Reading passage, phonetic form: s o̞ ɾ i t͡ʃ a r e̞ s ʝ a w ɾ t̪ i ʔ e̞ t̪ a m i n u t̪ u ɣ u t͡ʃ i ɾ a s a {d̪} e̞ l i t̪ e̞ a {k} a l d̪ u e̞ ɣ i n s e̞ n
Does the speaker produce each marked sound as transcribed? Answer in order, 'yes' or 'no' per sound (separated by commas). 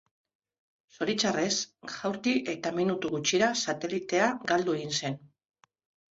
no, no